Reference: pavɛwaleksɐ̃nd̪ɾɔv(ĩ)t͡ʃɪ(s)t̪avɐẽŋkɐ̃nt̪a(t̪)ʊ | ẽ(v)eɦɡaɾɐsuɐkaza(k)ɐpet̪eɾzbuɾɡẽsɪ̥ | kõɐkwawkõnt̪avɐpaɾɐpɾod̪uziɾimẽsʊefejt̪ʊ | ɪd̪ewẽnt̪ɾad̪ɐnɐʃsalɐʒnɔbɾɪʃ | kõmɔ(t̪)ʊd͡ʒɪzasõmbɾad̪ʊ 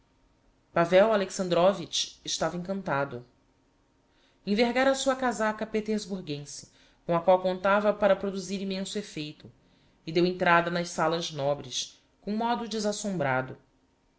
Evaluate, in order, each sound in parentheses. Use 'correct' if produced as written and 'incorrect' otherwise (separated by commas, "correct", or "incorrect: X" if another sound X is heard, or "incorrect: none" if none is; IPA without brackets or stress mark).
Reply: incorrect: i, incorrect: ʃ, incorrect: d̪, correct, correct, incorrect: d̪